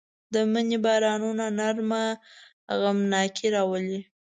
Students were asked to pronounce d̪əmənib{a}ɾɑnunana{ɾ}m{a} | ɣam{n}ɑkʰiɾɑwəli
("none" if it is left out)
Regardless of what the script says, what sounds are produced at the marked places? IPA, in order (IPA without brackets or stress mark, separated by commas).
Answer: ɑ, ɾ, a, n